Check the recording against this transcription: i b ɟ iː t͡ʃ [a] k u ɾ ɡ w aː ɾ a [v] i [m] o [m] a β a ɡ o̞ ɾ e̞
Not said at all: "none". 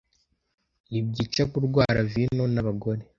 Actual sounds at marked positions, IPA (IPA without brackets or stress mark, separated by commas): a, v, n, n